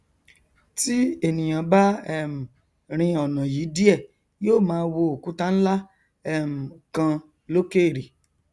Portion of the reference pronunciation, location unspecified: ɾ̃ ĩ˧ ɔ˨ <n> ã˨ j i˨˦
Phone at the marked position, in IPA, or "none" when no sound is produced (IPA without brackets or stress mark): n